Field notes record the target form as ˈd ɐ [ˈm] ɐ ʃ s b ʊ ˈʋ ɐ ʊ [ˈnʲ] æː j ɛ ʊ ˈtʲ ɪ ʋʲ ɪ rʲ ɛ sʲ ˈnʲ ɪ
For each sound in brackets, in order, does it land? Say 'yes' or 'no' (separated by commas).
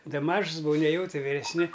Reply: yes, yes